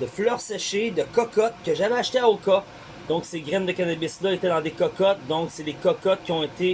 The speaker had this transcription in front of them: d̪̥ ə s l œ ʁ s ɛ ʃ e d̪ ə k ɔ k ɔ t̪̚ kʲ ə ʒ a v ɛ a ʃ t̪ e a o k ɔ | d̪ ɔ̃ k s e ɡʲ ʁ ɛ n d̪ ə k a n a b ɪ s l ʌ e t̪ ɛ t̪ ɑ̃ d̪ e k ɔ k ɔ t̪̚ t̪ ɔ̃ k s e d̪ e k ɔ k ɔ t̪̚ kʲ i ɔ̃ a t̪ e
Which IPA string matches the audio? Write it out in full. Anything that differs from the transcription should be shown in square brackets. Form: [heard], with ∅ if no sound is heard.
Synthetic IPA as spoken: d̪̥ ə [f] l œ ʁ s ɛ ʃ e d̪ ə k ɔ k ɔ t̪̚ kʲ ə ʒ a v ɛ a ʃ t̪ e a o k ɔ | d̪ ɔ̃ k s e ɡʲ ʁ ɛ n d̪ ə k a n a b ɪ s l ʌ e t̪ ɛ [d̪] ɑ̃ d̪ e k ɔ k ɔ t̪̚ [d̪] ɔ̃ k s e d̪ e k ɔ k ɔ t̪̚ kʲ i ɔ̃ [e] t̪ e